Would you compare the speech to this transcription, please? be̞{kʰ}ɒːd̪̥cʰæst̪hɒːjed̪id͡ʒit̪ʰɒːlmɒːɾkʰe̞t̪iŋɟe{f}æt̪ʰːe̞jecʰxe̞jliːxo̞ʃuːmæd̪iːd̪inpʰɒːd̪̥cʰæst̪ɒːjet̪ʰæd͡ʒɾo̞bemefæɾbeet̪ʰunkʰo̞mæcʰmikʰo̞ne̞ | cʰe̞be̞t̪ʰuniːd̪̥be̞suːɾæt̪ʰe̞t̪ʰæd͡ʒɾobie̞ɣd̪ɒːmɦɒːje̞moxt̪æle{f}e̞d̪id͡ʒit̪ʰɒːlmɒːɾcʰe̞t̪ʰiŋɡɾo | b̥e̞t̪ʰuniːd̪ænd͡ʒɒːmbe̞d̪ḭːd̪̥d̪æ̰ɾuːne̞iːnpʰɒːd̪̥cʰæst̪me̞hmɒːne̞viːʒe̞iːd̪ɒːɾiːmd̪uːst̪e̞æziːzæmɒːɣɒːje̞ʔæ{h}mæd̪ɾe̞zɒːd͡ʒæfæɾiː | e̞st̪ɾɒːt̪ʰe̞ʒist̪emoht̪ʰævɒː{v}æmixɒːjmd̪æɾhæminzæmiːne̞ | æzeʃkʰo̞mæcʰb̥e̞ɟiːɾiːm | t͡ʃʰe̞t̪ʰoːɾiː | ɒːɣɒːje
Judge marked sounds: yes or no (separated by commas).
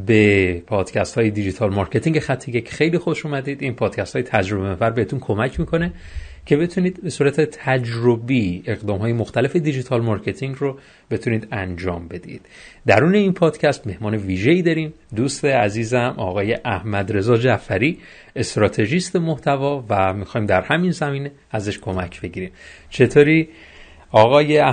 no, no, yes, yes, yes